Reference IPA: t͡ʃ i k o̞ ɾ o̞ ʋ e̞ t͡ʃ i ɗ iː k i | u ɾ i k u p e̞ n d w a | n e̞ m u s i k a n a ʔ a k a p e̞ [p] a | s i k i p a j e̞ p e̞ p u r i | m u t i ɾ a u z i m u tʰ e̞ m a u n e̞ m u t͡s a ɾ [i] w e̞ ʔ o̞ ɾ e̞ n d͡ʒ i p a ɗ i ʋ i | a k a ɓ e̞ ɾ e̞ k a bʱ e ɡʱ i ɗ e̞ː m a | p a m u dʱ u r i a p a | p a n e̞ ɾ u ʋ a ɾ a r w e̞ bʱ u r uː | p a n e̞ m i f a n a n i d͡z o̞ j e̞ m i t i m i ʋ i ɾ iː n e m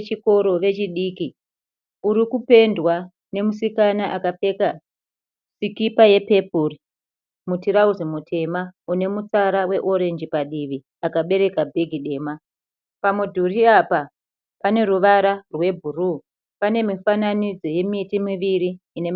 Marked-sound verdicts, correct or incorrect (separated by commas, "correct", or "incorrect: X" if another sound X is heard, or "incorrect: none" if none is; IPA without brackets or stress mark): incorrect: k, incorrect: a